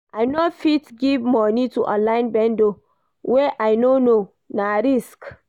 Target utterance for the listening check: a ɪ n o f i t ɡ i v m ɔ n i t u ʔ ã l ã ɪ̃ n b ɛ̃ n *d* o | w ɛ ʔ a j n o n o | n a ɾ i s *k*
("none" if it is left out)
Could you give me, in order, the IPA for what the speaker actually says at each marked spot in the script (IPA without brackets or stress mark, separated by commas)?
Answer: d, k